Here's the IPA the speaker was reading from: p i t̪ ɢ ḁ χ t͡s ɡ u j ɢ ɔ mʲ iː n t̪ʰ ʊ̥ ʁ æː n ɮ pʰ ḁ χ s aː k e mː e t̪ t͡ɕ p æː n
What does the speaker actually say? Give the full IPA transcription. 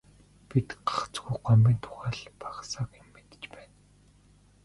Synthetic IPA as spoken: p i t̪ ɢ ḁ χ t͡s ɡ u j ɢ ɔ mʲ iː n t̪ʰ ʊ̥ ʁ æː ɮ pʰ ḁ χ s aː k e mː e t̪ t͡ɕ p æː n